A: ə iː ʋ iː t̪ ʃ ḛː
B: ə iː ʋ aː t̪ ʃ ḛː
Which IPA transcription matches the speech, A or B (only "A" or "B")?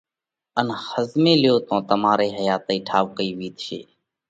A